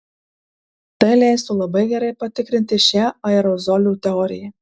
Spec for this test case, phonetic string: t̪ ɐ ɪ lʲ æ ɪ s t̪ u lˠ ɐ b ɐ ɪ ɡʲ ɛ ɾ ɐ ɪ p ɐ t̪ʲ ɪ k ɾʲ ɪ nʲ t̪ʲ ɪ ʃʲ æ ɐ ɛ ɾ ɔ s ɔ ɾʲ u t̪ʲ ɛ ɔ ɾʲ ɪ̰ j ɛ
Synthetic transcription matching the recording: t̪ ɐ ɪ lʲ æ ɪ s t̪ u lˠ ɐ b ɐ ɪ ɡʲ ɛ ɾ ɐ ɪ p ɐ t̪ʲ ɪ k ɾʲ ɪ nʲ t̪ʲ ɪ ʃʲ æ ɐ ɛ ɾ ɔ z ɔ lʲ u t̪ʲ ɛ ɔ ɾʲ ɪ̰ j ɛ